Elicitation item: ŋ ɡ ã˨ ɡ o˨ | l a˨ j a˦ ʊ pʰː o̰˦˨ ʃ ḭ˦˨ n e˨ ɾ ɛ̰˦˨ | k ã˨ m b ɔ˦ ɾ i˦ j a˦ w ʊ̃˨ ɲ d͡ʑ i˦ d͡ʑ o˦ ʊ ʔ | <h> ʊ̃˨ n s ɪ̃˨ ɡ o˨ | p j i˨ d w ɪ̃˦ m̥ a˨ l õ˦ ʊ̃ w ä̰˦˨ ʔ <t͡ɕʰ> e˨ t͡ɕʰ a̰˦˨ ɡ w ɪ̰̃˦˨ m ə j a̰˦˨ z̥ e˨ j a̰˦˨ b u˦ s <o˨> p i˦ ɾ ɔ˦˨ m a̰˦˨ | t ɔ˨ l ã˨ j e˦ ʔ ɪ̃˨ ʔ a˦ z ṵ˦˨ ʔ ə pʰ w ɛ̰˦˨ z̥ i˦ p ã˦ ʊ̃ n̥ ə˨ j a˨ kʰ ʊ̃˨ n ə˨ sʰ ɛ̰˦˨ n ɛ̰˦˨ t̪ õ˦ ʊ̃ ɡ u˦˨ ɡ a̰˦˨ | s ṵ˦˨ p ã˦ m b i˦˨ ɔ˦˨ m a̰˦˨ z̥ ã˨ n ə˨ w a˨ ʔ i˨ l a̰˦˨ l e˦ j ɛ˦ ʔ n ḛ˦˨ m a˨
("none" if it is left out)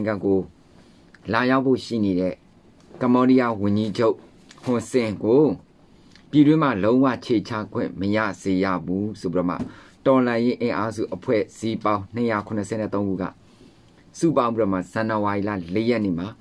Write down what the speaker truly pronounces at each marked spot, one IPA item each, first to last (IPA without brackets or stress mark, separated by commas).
h, t͡ɕʰ, o˨